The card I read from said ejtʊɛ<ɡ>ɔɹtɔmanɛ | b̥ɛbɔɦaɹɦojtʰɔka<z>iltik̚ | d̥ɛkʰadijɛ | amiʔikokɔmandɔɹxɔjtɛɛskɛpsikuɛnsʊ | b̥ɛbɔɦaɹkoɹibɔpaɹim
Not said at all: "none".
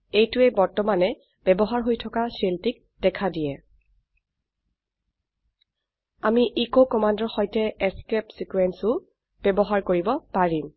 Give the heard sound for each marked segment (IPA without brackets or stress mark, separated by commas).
b, s